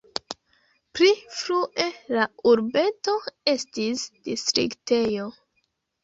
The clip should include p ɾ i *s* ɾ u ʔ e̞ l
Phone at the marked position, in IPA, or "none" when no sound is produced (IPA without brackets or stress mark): f